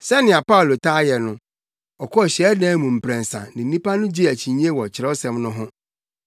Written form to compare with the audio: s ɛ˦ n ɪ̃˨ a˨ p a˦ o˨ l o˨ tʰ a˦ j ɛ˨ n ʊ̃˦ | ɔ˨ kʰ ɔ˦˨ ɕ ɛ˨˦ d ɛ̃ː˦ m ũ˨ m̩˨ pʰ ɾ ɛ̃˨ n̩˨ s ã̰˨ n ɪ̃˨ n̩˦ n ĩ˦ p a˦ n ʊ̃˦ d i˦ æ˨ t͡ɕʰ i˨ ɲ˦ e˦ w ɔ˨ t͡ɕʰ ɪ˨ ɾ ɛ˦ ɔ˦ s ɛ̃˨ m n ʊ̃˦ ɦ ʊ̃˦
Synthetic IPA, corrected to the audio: s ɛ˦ n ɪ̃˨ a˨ p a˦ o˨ l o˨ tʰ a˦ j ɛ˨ n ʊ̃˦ | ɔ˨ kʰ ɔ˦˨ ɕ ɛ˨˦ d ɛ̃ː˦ m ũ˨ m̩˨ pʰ ɾ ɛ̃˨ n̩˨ s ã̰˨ n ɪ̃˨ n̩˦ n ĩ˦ p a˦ n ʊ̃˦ d͡ʑ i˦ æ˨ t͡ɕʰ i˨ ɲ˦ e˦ w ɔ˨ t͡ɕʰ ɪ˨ ɾ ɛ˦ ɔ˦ s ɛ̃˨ m n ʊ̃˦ ɦ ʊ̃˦